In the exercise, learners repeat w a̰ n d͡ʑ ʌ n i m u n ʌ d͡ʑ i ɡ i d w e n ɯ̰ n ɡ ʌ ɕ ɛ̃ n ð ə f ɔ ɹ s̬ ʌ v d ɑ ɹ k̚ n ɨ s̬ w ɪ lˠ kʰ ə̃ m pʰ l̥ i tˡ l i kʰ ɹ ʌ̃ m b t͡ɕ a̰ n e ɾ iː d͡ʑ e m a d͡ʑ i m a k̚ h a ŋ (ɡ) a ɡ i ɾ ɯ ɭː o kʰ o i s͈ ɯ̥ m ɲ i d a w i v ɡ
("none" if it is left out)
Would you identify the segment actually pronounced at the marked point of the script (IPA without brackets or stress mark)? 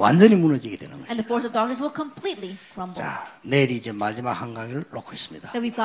ɡ